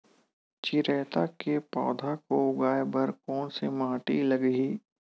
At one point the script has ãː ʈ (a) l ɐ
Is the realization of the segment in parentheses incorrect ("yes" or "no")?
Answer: yes